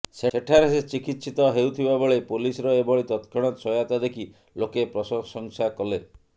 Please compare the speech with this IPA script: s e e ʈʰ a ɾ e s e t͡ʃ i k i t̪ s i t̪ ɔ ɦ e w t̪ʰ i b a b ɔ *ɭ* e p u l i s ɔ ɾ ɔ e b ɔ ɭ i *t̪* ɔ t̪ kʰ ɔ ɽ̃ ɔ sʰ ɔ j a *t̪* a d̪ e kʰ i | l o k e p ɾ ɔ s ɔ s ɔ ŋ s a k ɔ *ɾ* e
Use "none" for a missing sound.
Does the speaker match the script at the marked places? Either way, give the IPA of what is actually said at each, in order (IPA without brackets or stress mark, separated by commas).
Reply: ɭ, t̪, t̪, l